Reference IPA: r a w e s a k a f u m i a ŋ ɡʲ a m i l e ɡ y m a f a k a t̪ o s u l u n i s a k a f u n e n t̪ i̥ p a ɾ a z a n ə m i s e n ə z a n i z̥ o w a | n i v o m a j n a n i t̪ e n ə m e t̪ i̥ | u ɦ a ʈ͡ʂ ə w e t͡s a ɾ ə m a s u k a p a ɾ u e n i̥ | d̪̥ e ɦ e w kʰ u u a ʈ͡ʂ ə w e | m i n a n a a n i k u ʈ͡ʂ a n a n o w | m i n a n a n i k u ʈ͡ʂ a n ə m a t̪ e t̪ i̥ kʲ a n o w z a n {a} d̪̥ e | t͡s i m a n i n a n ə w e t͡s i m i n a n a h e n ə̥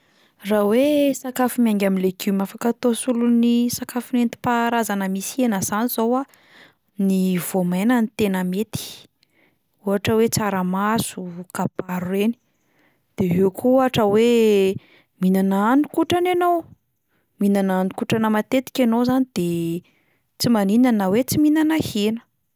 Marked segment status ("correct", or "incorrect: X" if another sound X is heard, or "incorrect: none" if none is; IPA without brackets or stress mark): incorrect: i